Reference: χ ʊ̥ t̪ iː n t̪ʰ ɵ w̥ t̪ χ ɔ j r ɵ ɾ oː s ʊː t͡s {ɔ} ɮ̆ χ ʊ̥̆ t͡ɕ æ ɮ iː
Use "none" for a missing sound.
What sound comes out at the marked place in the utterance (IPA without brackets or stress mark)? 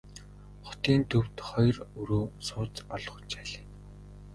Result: ɔ